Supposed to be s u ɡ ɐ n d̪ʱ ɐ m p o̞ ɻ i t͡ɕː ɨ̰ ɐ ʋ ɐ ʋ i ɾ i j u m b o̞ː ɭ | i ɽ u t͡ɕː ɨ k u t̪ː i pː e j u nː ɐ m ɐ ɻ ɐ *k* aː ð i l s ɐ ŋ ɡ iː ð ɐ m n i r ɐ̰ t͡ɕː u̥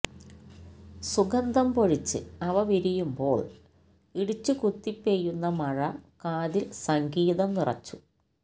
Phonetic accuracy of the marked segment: correct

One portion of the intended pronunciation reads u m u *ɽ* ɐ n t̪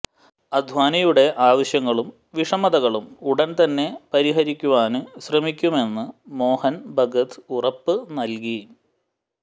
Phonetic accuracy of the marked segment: correct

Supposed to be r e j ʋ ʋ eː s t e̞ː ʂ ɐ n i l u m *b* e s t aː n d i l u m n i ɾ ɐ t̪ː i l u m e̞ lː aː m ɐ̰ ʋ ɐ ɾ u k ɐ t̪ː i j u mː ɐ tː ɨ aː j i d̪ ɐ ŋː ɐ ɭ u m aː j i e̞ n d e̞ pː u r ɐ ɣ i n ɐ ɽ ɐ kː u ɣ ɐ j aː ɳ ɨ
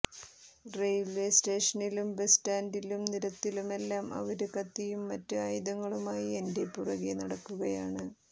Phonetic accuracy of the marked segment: correct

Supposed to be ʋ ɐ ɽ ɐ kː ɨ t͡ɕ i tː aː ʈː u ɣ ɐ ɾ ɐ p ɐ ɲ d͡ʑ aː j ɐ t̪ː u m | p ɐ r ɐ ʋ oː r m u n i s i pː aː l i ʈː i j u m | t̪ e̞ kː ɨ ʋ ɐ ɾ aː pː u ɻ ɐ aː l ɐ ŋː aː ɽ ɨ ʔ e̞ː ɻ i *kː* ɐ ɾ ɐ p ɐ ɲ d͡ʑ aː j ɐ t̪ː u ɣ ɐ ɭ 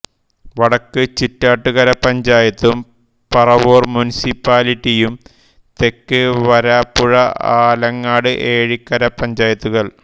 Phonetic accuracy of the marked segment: correct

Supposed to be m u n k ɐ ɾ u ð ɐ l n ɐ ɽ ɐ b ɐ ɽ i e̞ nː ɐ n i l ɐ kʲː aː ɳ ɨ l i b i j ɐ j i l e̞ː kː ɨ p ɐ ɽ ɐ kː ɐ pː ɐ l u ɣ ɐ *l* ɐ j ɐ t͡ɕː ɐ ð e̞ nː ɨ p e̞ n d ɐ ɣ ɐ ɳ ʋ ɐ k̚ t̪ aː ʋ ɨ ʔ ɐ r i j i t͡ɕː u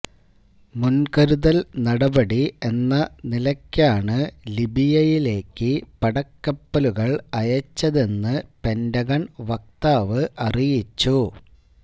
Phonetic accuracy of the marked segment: incorrect: ɭ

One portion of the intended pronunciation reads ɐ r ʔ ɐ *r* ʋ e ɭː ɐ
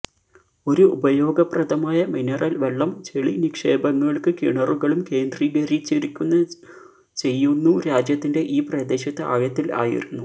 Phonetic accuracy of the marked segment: incorrect: l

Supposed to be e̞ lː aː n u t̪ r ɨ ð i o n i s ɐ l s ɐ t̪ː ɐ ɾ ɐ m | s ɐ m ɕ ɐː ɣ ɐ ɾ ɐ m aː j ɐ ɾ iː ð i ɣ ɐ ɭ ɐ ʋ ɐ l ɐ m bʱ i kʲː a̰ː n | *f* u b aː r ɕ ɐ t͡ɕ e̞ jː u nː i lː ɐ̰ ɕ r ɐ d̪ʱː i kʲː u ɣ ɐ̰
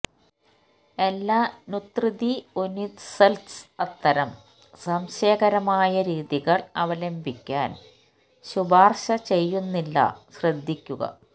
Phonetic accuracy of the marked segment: incorrect: ɕ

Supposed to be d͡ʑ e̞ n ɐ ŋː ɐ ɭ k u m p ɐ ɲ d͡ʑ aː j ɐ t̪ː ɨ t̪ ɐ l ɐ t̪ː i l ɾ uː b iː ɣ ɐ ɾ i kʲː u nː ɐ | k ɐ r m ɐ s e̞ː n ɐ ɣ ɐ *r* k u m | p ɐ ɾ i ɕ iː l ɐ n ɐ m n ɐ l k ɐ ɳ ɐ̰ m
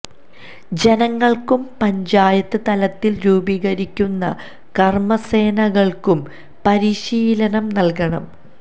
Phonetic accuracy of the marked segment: incorrect: ɭ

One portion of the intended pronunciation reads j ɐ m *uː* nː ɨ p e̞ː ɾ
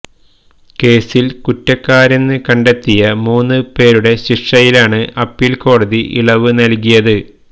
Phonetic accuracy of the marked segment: correct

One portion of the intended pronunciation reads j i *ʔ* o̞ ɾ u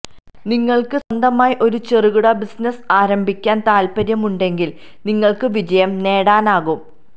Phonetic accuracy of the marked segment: correct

